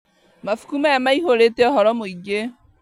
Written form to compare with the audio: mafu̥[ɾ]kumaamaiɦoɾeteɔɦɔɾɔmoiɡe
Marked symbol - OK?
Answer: no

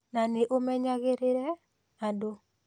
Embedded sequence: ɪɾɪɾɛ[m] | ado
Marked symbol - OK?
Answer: no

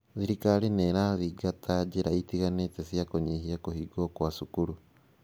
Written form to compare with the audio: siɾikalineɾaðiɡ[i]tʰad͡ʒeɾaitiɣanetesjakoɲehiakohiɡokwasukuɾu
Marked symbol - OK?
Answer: no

